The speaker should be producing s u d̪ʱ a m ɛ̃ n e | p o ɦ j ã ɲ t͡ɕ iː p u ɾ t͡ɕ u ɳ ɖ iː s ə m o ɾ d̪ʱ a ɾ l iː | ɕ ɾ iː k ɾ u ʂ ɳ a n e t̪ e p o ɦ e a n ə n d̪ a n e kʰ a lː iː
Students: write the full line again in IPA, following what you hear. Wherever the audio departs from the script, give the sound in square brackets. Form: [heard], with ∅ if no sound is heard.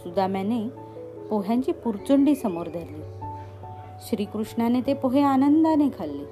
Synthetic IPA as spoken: s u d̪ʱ a m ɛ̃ n e | p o ɦ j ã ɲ t͡ɕ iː p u ɾ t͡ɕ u ɳ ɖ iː s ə m o ɾ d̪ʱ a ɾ l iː | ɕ ɾ iː k ɾ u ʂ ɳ a n e t̪ e p o ɦ e a n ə n d̪ a n e kʰ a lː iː